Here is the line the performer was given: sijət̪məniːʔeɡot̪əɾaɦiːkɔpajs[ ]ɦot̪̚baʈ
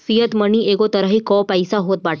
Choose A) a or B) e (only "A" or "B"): A